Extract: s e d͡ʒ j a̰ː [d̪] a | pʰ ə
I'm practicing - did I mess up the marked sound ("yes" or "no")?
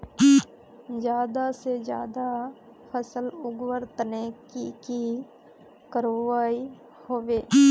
no